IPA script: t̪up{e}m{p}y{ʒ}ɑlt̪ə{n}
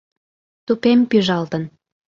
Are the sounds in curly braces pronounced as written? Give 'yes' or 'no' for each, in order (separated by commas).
yes, yes, yes, yes